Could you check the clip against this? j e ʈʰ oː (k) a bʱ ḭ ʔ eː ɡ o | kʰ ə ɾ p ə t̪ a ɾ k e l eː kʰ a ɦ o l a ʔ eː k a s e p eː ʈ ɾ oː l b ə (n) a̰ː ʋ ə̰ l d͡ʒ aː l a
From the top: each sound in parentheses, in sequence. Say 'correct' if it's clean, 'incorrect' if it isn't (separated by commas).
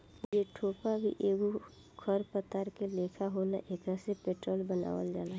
incorrect, correct